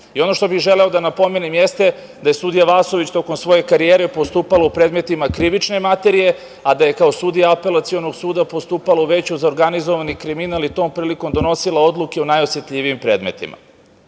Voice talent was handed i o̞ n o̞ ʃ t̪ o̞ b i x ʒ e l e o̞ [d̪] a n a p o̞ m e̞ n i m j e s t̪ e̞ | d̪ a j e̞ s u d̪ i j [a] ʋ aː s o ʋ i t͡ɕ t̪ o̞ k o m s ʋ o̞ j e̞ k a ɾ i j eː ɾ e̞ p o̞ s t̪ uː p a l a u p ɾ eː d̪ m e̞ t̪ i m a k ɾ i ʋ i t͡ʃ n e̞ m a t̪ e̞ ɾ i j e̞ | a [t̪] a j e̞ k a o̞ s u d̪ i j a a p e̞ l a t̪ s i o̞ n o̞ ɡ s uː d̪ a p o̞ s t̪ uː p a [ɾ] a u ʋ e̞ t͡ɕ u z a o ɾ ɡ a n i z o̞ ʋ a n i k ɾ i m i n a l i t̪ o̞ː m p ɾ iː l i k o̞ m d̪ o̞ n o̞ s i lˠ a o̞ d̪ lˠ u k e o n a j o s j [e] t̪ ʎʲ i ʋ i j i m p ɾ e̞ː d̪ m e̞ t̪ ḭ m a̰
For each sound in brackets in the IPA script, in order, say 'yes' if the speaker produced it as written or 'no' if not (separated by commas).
yes, yes, no, no, yes